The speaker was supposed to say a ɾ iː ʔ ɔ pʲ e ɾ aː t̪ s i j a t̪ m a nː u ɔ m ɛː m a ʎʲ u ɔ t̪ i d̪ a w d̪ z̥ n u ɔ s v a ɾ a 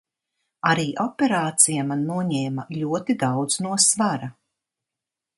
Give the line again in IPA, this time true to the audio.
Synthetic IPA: a ɾ iː ʔ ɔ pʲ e ɾ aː t̪ s i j a m a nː u ɔ ɲ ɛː m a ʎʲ u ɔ t̪ i d̪ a w d̪ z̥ n u ɔ s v a ɾ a